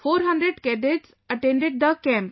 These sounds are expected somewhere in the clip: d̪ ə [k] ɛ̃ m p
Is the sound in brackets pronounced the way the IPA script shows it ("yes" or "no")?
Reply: yes